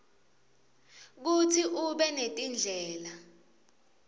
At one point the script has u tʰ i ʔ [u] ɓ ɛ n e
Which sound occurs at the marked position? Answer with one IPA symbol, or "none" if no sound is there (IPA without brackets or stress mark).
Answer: u